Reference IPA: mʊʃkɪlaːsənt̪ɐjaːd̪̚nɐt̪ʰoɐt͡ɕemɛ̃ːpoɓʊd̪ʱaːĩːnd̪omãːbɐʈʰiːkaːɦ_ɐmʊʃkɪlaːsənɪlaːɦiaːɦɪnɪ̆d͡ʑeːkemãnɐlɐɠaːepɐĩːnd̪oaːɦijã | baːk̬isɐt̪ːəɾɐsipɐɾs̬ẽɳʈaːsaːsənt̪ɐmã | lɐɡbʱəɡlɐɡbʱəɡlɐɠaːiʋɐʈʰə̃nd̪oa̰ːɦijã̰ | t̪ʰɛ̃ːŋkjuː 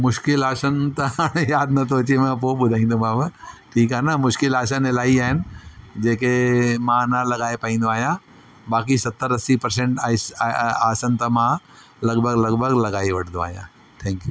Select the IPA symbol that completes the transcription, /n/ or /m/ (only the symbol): n